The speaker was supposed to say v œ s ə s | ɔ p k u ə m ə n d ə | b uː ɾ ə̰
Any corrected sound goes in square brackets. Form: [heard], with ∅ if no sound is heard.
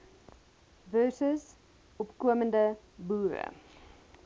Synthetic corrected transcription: v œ s ə s | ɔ p k u ə m ə n d ə | b uː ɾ ə̰